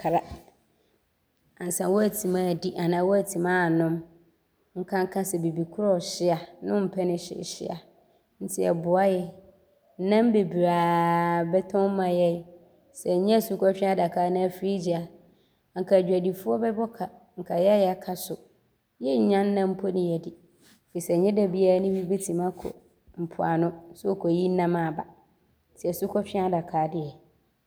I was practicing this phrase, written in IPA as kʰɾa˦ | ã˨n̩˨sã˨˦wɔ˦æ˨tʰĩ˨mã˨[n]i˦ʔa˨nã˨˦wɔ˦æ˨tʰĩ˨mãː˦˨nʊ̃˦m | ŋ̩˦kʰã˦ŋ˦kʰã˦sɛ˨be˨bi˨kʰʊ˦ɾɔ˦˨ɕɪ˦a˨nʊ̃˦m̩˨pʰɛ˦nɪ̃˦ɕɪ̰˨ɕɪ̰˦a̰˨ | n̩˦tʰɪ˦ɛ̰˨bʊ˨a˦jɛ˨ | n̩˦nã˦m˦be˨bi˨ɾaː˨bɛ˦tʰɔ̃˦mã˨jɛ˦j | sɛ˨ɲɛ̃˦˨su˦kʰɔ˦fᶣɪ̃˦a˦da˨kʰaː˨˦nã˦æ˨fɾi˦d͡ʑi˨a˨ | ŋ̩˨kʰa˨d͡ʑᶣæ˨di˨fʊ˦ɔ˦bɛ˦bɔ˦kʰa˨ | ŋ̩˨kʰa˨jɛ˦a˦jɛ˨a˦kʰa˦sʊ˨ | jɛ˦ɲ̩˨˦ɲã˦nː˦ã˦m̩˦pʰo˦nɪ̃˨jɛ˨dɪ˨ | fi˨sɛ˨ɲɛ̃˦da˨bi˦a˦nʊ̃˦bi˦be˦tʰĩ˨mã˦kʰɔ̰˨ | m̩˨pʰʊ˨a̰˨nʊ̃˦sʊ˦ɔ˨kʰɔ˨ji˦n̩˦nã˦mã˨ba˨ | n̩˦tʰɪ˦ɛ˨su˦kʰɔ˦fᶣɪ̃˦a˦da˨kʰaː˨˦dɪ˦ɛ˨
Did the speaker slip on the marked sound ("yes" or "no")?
yes